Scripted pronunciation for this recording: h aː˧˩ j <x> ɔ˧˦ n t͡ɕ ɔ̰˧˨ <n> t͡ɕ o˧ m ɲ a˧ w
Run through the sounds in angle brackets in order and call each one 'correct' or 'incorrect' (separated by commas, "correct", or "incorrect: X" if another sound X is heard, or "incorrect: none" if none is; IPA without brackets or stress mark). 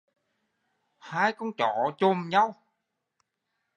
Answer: incorrect: k, incorrect: none